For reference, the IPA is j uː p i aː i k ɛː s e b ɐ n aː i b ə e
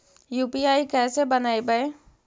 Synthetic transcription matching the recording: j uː p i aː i k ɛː s e b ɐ n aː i b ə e